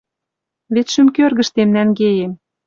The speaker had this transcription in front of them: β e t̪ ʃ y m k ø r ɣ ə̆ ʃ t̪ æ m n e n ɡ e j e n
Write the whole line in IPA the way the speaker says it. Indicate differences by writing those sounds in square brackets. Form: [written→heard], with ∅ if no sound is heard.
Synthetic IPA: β e t̪ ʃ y m k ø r ɣ ə̆ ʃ t̪ [æ→e] m n [e→æ] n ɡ e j e [n→m]